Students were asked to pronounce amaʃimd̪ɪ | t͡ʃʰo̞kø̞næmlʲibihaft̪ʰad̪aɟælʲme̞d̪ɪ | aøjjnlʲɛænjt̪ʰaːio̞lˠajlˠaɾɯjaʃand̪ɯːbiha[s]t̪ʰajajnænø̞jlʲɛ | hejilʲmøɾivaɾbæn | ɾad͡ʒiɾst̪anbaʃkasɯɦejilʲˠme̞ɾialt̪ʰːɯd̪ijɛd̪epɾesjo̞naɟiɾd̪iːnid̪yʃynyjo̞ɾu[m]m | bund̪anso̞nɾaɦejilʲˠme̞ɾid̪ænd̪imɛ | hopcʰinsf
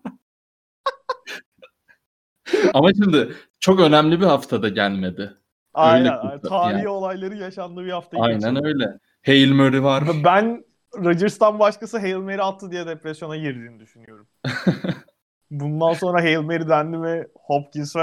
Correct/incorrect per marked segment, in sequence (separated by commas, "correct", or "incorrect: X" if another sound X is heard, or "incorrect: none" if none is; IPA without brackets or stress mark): incorrect: f, correct